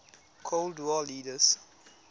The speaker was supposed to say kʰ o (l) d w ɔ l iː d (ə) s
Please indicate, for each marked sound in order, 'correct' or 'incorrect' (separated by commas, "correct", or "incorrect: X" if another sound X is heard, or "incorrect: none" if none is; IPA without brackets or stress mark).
correct, correct